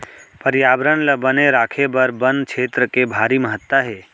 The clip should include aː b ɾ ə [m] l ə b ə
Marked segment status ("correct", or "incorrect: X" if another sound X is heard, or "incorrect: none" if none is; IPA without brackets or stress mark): incorrect: n